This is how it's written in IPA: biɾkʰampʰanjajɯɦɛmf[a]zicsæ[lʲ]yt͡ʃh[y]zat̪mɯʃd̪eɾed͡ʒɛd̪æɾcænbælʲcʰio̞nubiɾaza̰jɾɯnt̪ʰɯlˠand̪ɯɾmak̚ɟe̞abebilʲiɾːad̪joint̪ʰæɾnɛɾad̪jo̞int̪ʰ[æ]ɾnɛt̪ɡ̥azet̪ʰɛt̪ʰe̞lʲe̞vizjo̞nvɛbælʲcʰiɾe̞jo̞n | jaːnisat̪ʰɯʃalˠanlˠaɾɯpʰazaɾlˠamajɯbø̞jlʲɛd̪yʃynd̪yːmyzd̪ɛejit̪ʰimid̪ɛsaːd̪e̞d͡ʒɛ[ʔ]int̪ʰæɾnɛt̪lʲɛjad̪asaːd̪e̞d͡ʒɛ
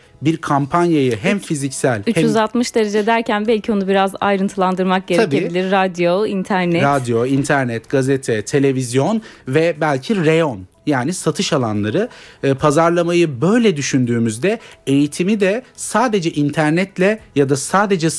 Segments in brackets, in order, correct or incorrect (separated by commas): incorrect, correct, correct, correct, correct